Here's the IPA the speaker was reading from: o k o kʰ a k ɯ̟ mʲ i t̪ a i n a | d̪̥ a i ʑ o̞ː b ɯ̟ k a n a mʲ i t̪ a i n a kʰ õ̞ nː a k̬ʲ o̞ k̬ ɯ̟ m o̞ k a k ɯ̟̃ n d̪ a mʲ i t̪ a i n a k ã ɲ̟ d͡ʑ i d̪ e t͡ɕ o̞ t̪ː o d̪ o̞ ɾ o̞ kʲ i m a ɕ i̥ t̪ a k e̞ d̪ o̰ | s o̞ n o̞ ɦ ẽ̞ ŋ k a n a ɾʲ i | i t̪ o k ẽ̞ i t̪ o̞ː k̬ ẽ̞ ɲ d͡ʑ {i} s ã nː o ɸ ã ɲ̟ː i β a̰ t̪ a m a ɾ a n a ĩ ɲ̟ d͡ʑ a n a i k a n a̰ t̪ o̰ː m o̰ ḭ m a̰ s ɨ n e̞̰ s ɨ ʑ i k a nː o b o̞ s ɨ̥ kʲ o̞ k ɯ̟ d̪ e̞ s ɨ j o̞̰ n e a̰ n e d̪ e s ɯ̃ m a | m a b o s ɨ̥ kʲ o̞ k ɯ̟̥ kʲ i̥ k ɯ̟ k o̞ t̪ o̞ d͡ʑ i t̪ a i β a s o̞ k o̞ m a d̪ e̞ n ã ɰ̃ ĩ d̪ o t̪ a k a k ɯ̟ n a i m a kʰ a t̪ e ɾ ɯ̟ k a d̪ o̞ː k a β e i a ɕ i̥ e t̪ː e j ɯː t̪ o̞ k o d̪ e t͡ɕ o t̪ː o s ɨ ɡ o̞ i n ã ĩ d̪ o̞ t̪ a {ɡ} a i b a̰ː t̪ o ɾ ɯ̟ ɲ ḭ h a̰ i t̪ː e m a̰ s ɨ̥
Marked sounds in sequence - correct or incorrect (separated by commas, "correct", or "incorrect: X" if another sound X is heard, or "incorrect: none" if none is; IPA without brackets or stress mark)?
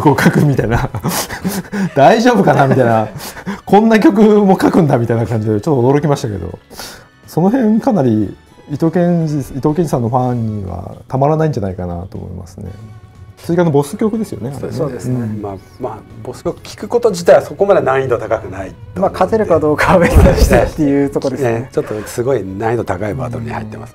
correct, incorrect: k